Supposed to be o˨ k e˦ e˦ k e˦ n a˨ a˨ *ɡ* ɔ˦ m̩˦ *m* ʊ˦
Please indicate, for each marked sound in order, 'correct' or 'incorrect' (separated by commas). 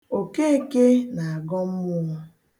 correct, correct